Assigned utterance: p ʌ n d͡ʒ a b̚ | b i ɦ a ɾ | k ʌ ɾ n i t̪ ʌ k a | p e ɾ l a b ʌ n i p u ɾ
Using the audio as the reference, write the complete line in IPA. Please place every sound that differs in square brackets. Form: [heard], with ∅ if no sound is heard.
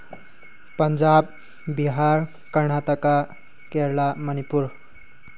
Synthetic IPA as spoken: p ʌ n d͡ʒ a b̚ | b i ɦ a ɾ | k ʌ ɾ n [a] t̪ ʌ k a | [k] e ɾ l a [m] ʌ n i p u ɾ

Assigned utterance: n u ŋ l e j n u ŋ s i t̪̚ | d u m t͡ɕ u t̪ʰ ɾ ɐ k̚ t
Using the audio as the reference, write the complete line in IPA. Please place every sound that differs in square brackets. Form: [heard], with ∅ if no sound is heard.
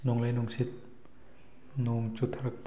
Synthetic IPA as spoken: n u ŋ l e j n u ŋ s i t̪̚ | [n] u [ŋ] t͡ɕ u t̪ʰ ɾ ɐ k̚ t

